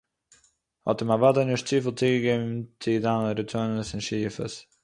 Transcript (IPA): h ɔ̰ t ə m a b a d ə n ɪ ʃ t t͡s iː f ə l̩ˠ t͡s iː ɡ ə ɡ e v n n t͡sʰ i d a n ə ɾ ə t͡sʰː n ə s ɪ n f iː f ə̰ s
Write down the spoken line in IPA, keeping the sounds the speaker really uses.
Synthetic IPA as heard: h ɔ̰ t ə m a v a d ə n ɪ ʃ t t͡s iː f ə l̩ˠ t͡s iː ɡ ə ɡ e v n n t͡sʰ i d a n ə ɾ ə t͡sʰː n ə s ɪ n ʃ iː f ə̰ s